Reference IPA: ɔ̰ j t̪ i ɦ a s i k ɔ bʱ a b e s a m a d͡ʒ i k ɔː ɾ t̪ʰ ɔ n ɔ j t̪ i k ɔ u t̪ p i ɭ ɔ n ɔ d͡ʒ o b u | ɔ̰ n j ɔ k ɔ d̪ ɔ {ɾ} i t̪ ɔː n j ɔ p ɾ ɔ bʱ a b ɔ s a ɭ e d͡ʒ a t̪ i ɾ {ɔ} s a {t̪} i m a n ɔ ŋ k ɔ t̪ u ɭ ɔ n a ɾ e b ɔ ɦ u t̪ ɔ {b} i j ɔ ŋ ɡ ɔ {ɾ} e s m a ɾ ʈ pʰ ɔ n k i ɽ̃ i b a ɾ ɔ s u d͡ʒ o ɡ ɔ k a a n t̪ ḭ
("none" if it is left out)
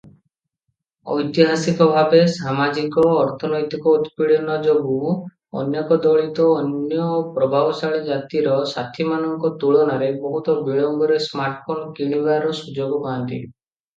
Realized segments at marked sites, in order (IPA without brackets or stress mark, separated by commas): ɭ, ɔ, t̪ʰ, b, ɾ